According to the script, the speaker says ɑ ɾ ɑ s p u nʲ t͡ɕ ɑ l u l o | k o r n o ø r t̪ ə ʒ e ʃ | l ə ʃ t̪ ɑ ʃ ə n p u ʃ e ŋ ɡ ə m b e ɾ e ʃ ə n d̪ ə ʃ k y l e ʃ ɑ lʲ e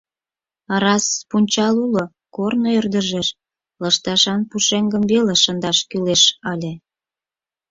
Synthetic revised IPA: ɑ ɾ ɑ s p u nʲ t͡ɕ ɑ l u l o | k o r n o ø r d̪ ə ʒ e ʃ | l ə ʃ t̪ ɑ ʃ ɑ n p u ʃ e ŋ ɡ ə m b e l e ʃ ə n d̪ ɑ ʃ k y l e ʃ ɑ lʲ e